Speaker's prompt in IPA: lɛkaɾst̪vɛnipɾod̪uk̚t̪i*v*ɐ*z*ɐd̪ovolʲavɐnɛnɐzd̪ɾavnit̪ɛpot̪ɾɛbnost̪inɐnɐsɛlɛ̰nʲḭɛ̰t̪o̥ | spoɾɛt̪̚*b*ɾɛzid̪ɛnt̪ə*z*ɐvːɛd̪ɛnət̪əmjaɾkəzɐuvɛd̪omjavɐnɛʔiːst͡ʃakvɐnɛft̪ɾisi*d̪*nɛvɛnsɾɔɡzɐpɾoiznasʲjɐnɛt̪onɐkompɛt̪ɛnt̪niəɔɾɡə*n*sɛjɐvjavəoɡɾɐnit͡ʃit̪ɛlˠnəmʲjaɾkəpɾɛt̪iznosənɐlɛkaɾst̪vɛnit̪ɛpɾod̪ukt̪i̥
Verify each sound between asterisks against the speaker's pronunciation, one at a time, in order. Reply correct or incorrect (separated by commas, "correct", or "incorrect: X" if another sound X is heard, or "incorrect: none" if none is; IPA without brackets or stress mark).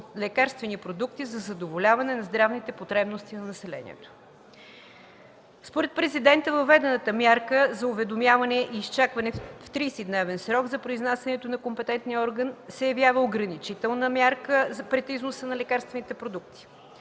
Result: incorrect: z, correct, incorrect: p, incorrect: v, correct, correct